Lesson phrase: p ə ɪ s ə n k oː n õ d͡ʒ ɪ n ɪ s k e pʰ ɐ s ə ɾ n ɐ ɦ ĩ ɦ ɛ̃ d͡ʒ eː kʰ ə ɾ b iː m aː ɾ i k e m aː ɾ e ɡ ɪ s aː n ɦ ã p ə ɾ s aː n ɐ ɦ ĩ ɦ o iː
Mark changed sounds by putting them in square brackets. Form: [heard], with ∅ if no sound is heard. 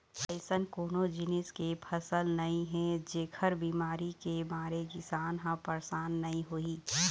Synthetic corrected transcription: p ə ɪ s ə n k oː n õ d͡ʒ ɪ n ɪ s k e pʰ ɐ s ə [l] n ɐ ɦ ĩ ɦ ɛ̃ d͡ʒ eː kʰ ə ɾ b iː m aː ɾ i k e m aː ɾ e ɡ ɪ s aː n ɦ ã p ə ɾ s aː [nː] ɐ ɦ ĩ ɦ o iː